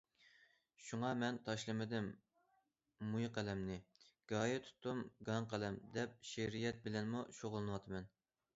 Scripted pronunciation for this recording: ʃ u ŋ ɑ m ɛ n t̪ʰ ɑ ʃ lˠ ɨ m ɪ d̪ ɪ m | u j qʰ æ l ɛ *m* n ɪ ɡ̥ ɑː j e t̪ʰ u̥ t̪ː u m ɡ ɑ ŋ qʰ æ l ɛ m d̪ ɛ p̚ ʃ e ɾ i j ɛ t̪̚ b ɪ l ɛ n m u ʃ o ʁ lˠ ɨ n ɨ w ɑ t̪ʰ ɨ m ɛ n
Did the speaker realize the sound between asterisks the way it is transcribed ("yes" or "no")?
yes